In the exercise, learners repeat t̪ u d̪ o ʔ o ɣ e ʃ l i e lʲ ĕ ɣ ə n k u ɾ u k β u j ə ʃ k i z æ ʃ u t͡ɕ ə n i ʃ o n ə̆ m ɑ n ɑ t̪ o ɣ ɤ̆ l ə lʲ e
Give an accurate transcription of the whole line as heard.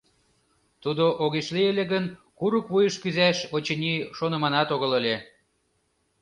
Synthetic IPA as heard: t̪ u d̪ o ʔ o ɣ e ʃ l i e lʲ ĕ ɣ ə n k u ɾ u k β u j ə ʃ k y z æ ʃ o t͡ɕ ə n i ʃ o n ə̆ m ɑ n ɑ t̪ o ɣ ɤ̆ l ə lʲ e